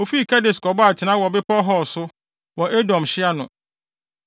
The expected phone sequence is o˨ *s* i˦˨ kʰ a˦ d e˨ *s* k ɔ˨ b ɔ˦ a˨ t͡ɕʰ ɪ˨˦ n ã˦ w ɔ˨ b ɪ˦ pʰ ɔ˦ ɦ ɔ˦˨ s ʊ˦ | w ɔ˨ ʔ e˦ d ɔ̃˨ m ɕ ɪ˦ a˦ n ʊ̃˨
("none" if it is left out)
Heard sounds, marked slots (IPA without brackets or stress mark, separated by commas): f, s